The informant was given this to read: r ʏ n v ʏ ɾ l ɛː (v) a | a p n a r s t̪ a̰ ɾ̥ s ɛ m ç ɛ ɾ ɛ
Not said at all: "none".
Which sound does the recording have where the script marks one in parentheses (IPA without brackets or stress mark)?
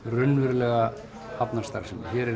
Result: ɣ